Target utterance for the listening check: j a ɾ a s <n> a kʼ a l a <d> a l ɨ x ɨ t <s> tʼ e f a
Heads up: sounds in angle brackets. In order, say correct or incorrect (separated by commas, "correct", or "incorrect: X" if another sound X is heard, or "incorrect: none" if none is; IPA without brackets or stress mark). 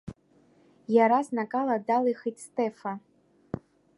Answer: correct, correct, correct